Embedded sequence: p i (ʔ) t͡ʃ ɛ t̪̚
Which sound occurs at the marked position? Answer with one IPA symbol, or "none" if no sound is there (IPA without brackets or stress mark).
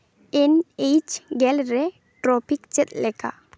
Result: k